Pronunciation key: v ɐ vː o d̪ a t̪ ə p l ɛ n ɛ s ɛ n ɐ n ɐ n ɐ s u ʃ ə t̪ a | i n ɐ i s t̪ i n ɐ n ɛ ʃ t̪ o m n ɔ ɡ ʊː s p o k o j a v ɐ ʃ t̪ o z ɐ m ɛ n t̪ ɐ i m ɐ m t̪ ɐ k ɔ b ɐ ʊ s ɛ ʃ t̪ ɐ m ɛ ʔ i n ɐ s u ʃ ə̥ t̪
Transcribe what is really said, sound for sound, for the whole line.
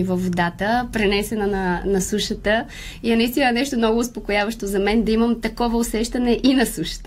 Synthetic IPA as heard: v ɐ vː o d̪ a t̪ ə p ɾ ɛ n ɛ s ɛ n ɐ n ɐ n ɐ s u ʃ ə t̪ ə | i n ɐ i s t̪ i n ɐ n ɛ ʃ t̪ o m n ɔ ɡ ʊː s p o k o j a v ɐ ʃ t̪ o z ɐ m ɛ n d̪ ɐ i m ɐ m t̪ ɐ k ɔ v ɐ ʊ s ɛ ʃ t̪ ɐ n ɛ ʔ i n ɐ s u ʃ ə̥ t̪